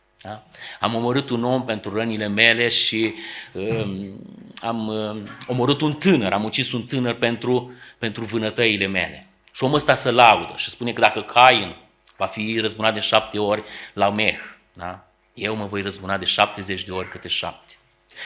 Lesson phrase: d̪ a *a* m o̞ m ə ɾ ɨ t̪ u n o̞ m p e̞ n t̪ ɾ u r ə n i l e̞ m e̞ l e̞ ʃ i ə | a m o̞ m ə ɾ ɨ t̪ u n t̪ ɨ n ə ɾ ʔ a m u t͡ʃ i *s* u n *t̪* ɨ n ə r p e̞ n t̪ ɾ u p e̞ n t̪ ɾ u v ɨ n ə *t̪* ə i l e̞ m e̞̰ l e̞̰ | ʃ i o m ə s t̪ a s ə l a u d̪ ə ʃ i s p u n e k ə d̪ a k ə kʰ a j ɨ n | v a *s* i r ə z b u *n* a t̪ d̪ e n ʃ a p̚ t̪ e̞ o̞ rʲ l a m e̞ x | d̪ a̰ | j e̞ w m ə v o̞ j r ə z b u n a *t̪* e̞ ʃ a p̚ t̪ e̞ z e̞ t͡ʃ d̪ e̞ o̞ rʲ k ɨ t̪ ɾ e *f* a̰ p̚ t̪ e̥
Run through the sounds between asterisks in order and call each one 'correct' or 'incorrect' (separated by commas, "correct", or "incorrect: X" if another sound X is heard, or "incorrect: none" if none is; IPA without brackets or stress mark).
correct, correct, correct, correct, incorrect: f, correct, incorrect: d̪, incorrect: ʃ